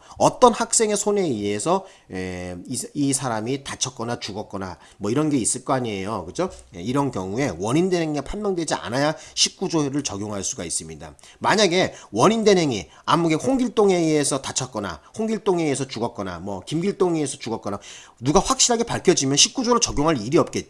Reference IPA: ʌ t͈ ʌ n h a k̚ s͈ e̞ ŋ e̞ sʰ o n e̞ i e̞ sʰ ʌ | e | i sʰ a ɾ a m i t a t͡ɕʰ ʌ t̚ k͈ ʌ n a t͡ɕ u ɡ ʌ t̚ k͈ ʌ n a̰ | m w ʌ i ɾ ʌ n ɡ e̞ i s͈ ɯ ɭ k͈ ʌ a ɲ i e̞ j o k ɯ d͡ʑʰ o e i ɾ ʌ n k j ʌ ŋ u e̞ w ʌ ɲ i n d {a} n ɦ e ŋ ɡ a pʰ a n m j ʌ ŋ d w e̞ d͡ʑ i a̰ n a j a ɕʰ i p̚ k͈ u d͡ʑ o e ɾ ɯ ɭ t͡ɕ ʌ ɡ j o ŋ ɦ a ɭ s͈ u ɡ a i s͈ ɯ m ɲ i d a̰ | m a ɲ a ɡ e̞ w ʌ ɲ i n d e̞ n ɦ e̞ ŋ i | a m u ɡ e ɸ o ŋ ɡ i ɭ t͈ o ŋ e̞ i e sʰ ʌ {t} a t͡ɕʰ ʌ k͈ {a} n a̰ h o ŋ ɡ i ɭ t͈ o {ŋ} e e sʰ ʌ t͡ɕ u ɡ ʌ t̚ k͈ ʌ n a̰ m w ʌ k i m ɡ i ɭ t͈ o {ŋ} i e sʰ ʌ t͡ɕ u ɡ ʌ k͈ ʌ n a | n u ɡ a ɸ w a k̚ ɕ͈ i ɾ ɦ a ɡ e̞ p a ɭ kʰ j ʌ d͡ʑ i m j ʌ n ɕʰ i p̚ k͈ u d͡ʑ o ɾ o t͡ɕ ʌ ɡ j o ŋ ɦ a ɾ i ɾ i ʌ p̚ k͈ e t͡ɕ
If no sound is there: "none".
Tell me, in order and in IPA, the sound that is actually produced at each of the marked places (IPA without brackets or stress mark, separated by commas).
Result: e, t, ʌ, ŋ, ŋ